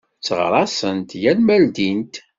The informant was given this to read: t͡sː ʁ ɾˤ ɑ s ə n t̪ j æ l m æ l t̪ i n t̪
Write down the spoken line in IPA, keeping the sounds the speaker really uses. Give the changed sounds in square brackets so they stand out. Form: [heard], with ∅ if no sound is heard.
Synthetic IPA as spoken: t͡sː ʁ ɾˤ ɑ s ə n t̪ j æ l m æ l [d̪] i n t̪